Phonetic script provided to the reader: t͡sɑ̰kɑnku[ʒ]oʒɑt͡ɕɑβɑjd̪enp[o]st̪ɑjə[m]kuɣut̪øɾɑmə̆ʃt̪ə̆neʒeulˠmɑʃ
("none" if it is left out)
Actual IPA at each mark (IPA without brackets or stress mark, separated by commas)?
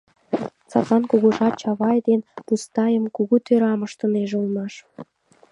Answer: ɣ, u, m